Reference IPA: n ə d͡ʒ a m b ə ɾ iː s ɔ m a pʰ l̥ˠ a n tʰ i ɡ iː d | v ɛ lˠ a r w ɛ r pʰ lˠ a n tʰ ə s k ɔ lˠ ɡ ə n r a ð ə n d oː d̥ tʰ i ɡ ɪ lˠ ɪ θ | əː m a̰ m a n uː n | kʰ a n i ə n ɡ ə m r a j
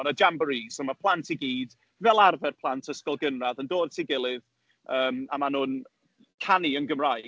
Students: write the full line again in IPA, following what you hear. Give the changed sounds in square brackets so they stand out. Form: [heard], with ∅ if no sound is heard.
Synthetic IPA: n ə d͡ʒ a m b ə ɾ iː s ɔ m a pʰ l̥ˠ a n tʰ i ɡ iː d | v ɛ lˠ a r [v] ɛ r pʰ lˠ a n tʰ ə s k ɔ lˠ ɡ ə n r a ð ə n d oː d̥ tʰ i ɡ ɪ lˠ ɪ [ð] | əː m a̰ m a n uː n | kʰ a n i ə n ɡ ə m r a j

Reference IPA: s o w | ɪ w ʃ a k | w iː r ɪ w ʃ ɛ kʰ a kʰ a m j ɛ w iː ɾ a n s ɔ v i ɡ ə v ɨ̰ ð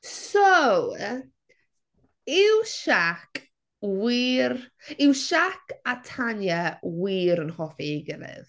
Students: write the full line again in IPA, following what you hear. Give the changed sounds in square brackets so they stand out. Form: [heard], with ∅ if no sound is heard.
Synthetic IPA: s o w | ɪ w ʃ a k | w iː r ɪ w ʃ [a] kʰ a [tʰ] a [n] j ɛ w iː ɾ [ə] n [h] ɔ [f] i ɡ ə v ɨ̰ ð

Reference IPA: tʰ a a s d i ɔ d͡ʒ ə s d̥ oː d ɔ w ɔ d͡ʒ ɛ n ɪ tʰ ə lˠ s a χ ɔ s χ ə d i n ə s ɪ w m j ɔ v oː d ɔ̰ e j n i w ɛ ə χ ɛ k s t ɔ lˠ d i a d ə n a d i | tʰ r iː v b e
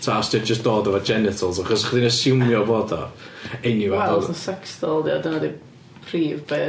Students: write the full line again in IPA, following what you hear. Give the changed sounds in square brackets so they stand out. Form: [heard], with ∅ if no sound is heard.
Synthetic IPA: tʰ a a s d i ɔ d͡ʒ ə s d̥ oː d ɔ [v] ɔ d͡ʒ ɛ n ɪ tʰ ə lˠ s a χ ɔ s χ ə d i n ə s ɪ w m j ɔ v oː d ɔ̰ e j n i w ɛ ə [s] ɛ k s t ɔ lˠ d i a d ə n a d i | [pʰ] r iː v b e

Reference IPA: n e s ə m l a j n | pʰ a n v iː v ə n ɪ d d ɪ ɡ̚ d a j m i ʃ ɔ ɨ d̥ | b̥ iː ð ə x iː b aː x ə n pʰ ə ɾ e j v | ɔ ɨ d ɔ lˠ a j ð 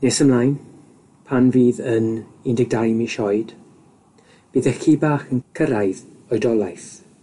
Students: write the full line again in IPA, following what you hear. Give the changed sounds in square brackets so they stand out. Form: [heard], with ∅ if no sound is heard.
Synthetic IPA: n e s ə m l a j n | pʰ a n v iː [ð] ə n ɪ [n] d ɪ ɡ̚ d a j m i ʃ ɔ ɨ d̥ | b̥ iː ð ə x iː b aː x ə n [kʰ] ə ɾ [a] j [ð] | ɔ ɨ d ɔ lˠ a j [θ]

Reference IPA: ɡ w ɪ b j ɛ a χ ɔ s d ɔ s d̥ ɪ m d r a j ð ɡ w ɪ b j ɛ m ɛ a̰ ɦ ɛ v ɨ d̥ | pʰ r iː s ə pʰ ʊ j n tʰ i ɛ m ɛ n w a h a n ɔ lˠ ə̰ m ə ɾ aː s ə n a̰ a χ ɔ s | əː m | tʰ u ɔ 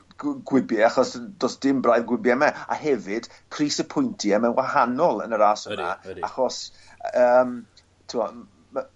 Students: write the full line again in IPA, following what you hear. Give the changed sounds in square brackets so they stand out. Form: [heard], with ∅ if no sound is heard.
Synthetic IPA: ɡ w ɪ b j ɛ a χ ɔ s d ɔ s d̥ ɪ m [b] r a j ð ɡ w ɪ b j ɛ m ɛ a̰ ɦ ɛ v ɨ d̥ | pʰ r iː s ə pʰ ʊ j n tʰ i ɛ m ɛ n w a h a n ɔ lˠ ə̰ [n] ə ɾ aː s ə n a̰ a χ ɔ s | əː m | tʰ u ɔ

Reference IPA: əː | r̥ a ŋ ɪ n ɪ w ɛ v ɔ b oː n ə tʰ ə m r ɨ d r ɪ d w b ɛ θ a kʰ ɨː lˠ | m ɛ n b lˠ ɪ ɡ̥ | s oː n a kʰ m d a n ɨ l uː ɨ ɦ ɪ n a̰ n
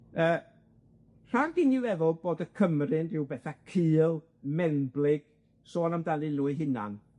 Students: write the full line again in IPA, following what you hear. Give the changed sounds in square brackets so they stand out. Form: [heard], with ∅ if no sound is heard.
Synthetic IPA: əː | r̥ a [ɡ] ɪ n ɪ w ɛ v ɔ b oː [d] ə [kʰ] ə m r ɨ [n] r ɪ [∅] w b ɛ θ a kʰ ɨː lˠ | m ɛ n b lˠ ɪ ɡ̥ | s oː n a [∅] m d a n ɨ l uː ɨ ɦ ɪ n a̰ n

